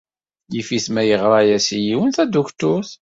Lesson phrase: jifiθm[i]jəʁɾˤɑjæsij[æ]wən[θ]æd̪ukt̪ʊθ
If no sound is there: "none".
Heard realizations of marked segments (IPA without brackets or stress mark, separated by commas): æ, i, θ